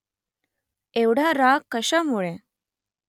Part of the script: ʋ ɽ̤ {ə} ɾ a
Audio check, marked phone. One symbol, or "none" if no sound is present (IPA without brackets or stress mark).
a